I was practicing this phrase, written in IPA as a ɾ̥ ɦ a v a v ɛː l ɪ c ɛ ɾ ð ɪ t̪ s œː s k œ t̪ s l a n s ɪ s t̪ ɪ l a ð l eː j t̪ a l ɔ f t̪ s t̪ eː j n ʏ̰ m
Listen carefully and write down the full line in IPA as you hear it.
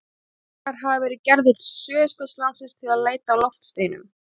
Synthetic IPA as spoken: a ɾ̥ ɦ a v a v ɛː ɾ ɪ c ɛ ɾ ð ɪ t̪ s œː s k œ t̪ s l a n s ɪ s t̪ʰ ɪ l a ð l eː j t̪ a l ɔ f t̪ s t̪ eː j n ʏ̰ m